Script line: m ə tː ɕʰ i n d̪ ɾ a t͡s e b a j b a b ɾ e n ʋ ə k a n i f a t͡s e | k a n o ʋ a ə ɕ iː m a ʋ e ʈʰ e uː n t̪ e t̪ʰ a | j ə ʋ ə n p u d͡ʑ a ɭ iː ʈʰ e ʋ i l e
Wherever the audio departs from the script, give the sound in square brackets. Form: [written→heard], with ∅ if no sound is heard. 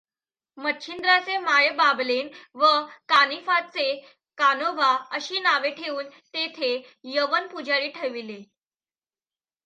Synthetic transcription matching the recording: m ə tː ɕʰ i n d̪ ɾ a t͡s e [b→m] a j b a b [ɾ→l] e n ʋ ə k a n i f a t͡s e | k a n o ʋ a ə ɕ iː [m→n] a ʋ e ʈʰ e uː n t̪ e t̪ʰ [a→e] | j ə ʋ ə n p u d͡ʑ a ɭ iː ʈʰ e ʋ i l e